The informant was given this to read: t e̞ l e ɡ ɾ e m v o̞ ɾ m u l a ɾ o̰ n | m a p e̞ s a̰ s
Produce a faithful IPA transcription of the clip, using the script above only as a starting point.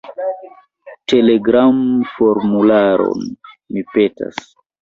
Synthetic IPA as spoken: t e̞ l e ɡ ɾ a m f o̞ ɾ m u l a ɾ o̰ n | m i p e̞ t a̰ s